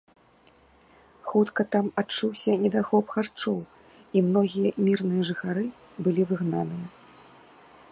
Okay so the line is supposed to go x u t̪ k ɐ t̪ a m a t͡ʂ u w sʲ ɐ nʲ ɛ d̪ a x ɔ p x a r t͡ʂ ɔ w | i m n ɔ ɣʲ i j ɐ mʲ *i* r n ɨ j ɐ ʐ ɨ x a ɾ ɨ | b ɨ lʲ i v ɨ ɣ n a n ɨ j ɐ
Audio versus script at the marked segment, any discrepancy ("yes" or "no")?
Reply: no